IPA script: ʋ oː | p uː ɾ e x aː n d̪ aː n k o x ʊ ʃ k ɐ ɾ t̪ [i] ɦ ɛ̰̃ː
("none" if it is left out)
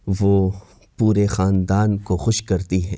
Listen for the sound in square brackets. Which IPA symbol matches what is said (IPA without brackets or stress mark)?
i